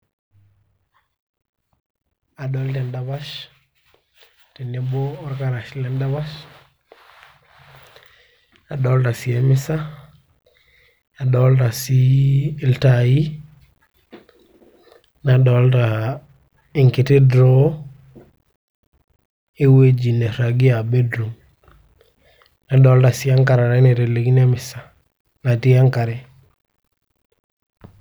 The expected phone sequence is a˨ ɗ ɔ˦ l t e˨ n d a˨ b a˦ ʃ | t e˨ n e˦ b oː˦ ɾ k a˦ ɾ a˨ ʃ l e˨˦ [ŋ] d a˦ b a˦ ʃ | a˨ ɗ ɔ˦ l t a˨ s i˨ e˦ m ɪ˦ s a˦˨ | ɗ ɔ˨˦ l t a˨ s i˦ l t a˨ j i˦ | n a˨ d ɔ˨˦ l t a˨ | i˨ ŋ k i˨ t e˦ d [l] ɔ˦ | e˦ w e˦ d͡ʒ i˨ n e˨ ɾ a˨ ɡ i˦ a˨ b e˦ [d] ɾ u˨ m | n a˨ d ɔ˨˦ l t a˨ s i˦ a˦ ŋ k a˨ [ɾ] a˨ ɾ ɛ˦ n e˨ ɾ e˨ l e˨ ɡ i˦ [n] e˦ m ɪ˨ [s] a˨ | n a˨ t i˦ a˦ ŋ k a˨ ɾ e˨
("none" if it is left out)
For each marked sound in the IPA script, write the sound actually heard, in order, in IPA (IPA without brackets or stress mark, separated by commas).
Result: n, ɾ, d, ɾ, n, s